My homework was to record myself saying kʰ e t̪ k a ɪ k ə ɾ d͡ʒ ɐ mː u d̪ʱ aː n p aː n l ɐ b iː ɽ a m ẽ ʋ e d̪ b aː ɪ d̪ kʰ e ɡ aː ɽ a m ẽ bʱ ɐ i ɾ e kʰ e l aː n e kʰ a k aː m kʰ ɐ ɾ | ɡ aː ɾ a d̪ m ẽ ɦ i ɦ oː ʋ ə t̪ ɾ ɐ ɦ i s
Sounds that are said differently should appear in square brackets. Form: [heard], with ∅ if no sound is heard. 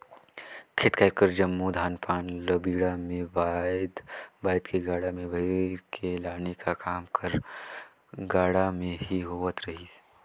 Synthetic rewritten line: kʰ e t̪ k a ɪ k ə ɾ d͡ʒ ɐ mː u d̪ʱ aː n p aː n l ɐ b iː ɽ a m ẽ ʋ [a] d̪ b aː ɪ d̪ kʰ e ɡ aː ɽ a m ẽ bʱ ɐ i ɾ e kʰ e l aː n e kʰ a k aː m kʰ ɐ ɾ | ɡ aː [ɽ] a [∅] m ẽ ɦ i ɦ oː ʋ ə t̪ ɾ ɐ ɦ i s